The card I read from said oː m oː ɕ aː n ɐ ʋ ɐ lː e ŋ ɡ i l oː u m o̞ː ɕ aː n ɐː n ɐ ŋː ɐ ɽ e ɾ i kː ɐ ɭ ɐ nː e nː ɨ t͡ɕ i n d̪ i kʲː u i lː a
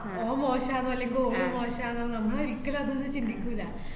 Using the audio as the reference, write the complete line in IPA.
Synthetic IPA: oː m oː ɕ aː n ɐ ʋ ɐ lː e ŋ ɡ i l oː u m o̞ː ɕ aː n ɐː n ɐ mː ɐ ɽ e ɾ i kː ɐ l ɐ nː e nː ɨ t͡ɕ i n d̪ i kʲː u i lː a